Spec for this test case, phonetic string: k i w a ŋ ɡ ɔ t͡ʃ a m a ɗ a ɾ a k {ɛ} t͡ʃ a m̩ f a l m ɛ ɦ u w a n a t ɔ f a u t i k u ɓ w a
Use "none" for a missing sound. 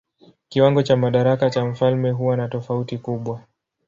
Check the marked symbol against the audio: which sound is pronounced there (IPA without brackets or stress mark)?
a